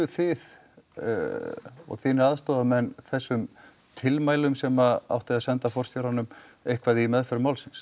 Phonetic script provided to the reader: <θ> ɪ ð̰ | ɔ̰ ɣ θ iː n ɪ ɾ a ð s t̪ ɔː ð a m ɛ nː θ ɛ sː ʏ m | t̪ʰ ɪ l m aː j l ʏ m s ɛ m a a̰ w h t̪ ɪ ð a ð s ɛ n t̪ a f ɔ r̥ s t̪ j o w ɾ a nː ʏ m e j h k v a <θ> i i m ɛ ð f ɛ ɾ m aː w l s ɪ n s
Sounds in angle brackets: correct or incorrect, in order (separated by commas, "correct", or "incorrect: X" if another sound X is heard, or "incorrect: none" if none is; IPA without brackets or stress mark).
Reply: correct, incorrect: ð